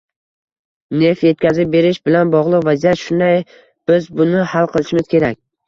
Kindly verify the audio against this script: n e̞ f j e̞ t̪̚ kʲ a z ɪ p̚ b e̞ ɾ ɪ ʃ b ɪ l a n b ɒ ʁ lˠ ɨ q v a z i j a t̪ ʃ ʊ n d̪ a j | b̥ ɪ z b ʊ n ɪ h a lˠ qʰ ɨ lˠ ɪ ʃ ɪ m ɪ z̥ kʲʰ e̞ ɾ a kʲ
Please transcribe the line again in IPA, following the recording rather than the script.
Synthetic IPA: n e̞ f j e̞ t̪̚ kʲ a z ɪ p̚ b e̞ ɾ ɪ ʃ b ɪ l a n b ɒ ʁ lˠ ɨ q v a z i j a t̪ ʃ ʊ n d̪ a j | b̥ ɪ z b ʊ n ɪ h a lˠ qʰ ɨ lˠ ɪ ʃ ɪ m ɪ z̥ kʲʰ e̞ ɾ a kʲ